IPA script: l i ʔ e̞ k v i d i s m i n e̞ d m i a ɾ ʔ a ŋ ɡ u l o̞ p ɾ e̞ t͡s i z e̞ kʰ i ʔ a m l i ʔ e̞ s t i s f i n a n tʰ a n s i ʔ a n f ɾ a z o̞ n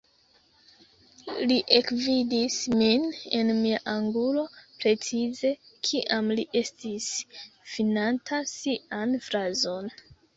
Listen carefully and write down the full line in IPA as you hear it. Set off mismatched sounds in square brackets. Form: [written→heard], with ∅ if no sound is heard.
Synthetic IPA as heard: l i ʔ e̞ k v i d i s m i n e̞ [d→n] m i a [ɾ→∅] ʔ a ŋ ɡ u l o̞ p ɾ e̞ t͡s i z e̞ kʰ i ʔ a m l i ʔ e̞ s t i s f i n a n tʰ a [n→∅] s i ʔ a n f ɾ a z o̞ n